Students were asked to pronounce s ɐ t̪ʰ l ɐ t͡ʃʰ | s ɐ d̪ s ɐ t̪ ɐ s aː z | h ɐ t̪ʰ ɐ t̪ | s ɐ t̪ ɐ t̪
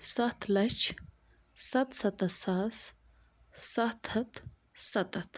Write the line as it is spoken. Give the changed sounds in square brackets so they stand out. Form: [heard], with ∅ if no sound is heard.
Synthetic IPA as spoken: s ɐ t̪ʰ l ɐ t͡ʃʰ | s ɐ [t̪] s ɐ t̪ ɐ s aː [s] | [s] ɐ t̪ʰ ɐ t̪ | s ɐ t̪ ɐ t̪